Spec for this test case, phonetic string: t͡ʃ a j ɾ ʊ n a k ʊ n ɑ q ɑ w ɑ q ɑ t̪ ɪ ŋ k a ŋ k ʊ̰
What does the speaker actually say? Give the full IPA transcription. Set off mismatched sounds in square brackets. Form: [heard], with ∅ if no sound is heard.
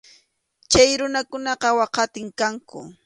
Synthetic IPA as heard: t͡ʃ a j ɾ ʊ n a k ʊ n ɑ q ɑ w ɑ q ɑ t̪ ɪ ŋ k a ŋ k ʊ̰